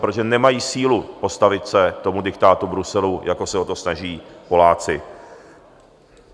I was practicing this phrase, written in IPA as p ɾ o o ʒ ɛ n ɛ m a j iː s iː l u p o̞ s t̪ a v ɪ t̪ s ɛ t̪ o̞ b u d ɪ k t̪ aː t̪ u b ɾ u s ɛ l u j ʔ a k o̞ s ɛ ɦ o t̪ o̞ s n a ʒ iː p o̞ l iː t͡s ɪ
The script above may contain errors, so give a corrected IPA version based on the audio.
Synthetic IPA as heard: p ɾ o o ʒ ɛ n ɛ m a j iː s iː l u p o̞ s t̪ a v ɪ t̪ s ɛ t̪ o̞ m u d ɪ k t̪ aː t̪ u b ɾ u s ɛ l u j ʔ a k o̞ s ɛ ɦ o t̪ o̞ s n a ʒ iː p o̞ l aː t͡s ɪ